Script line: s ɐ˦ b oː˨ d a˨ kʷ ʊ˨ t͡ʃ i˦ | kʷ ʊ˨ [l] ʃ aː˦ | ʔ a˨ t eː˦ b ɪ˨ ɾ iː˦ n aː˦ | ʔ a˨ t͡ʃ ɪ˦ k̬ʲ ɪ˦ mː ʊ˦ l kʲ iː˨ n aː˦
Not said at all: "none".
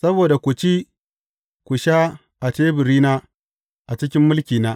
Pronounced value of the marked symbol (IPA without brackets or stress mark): none